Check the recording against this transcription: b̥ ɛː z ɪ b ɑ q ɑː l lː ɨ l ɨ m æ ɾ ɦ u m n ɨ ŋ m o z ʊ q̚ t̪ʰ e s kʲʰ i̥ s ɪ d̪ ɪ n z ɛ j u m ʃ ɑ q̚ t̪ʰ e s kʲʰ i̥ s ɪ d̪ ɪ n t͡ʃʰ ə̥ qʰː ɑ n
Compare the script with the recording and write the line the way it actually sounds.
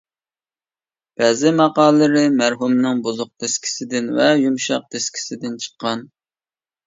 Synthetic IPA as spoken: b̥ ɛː z ɪ m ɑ q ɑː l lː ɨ ɾ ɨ m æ ɾ ɦ u m n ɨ ŋ b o z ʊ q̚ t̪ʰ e s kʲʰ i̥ s ɪ d̪ ɪ n v ɛ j u m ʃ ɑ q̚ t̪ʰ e s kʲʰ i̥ s ɪ d̪ ɪ n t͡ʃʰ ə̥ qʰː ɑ n